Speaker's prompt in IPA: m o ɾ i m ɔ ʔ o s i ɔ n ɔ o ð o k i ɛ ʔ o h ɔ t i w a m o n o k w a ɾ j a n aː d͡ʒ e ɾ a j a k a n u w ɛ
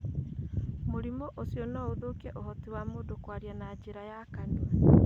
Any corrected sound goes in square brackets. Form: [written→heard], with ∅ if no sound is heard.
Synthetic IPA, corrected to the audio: m o ɾ i m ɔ ʔ o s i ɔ n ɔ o ð o k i ɛ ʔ o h ɔ t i w a m o [n→d] o k w a ɾ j a n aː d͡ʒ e ɾ a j a k a n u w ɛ